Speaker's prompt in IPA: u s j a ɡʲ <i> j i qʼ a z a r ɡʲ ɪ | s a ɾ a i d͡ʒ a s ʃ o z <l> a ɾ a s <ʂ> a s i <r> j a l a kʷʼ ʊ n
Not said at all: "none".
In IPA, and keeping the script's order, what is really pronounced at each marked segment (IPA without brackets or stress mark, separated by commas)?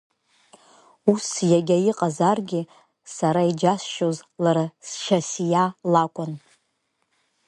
a, l, ʃ, none